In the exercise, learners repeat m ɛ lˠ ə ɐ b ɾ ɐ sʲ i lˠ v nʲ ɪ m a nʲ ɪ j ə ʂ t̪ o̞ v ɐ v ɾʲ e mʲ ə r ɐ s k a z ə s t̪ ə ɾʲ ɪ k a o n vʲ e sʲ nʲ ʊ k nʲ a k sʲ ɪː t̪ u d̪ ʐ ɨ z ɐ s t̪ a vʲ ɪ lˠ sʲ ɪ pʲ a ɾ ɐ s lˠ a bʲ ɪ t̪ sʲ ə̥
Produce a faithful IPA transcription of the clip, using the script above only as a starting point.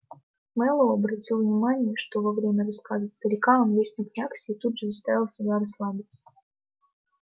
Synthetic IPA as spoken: m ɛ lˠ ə ɐ b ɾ ɐ tʲ i lˠ v nʲ ɪ m a nʲ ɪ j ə ʂ t̪ o̞ v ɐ v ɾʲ e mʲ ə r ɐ s k a z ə s t̪ ə ɾʲ ɪ k a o n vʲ e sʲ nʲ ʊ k nʲ a k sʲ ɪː t̪ u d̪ ʐ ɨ z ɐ s t̪ a vʲ ɪ lˠ sʲ ɪ bʲ a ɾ ɐ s lˠ a bʲ ɪ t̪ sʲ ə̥

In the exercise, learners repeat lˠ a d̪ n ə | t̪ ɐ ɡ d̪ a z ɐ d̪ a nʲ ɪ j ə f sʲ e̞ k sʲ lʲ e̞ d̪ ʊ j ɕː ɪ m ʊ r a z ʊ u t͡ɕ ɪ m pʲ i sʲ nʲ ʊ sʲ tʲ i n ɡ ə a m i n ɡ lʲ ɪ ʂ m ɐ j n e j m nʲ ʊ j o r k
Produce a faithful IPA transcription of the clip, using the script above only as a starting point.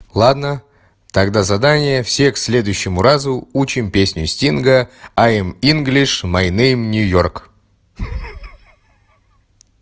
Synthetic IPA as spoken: lˠ a d̪ n ə | t̪ ɐ ɡ d̪ a z ɐ d̪ a nʲ ɪ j ə f sʲ e̞ k sʲ lʲ e̞ d̪ ʊ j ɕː ɪ m ʊ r a z ʊ u t͡ɕ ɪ m pʲ e sʲ nʲ ʊ sʲ tʲ i n ɡ ə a m i n ɡ lʲ ɪ ʂ m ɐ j n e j m nʲ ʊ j o r k

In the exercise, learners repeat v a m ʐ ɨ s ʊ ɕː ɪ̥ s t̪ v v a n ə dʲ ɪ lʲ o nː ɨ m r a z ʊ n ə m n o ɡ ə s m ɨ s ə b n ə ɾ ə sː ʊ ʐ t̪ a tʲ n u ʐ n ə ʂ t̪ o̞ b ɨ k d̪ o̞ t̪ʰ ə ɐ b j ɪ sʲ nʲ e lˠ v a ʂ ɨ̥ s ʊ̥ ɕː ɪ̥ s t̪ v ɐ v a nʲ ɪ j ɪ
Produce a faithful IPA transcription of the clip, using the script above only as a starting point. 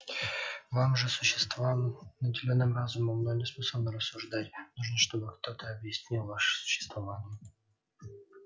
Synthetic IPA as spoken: v a m ʐ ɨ s ʊ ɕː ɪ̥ s t̪ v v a n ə dʲ ɪ lʲ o nː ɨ m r a z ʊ m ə m n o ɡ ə s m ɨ s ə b n ə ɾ ə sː ʊ ʐ d̪ a tʲ n u ʐ n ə ʂ t̪ o̞ b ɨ k t̪ o̞ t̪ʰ ə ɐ b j ɪ sʲ nʲ i lˠ v a ʂ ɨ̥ s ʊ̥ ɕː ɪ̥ s t̪ v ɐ v a nʲ ɪ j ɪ

